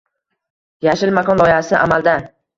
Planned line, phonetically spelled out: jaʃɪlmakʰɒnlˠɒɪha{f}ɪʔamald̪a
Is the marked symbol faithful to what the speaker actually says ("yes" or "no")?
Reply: no